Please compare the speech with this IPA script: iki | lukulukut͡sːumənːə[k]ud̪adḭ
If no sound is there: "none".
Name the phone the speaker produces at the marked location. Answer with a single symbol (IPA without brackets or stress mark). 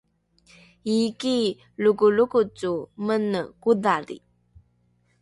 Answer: k